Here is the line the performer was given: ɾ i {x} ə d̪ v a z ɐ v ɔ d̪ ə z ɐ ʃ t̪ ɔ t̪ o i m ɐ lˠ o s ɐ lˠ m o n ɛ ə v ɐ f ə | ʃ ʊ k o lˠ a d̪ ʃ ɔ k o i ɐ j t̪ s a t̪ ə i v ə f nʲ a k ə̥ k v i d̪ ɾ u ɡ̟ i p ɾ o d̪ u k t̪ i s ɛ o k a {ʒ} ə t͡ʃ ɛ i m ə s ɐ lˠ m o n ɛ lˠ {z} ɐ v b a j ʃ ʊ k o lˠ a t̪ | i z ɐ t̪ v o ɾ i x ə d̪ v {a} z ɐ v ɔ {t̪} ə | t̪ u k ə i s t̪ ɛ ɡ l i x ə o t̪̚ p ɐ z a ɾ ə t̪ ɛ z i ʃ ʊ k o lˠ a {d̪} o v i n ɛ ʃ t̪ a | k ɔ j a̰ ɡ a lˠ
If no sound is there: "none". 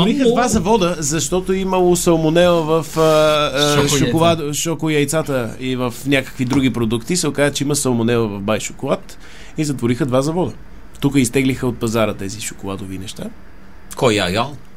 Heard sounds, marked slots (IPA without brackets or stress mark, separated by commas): x, z, v, a, d̪, d̪